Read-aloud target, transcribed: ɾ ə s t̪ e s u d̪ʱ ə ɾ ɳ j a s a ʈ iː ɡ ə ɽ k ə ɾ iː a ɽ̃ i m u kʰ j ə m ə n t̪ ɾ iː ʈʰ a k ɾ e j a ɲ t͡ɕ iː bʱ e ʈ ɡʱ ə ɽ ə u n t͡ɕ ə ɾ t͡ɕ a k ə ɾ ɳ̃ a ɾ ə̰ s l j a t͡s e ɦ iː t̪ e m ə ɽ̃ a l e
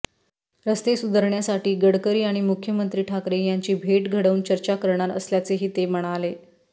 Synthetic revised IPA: ɾ ə s t̪ e s u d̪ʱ ə ɾ ɳ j a s a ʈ iː ɡ ə ɽ k ə ɾ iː a ɽ̃ i m u kʰ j ə m ə n t̪ ɾ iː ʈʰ a k ɾ e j a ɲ t͡ɕ iː bʱ e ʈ ɡʱ ə ɽ ə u n t͡ɕ ə ɾ t͡ɕ a k ə ɾ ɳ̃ a ɾ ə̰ s l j a t͡s e ɦ iː t̪ e m ə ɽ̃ a l e